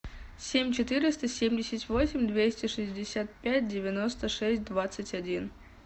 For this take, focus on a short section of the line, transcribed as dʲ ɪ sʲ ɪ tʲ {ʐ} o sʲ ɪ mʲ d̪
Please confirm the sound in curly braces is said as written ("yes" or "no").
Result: no